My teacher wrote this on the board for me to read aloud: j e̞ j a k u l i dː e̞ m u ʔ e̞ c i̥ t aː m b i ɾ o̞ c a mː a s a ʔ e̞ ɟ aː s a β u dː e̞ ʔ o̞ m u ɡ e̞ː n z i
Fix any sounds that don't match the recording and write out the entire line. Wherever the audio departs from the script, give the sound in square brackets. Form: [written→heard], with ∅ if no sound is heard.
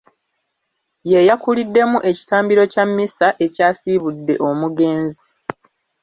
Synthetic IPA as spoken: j e̞ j a k u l i dː e̞ m u ʔ e̞ c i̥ t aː m b i ɾ o̞ c a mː [a→i] s a ʔ e̞ [ɟ→c] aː s [a→i] β u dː e̞ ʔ o̞ m u ɡ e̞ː n z i